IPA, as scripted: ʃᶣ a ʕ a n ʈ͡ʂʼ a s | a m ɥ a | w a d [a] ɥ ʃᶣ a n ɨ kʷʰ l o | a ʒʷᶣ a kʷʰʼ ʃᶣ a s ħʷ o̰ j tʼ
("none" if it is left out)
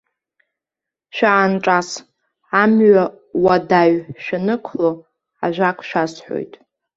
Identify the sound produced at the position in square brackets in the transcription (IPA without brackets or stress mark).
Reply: a